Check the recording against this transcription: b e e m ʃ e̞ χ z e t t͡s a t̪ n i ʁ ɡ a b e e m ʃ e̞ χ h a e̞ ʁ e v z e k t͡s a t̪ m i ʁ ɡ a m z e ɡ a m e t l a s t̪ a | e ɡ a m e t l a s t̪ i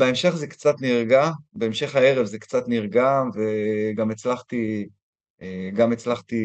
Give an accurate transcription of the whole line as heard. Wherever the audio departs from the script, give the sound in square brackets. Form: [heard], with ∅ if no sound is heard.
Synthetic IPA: b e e m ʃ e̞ χ z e [k] t͡s a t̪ n i ʁ ɡ a b e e m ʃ e̞ χ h a e̞ ʁ e v z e k t͡s a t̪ [n] i ʁ ɡ a m [v] e ɡ a m e [t͡s] l a [χ] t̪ [i] | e ɡ a m e [t͡s] l a [χ] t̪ i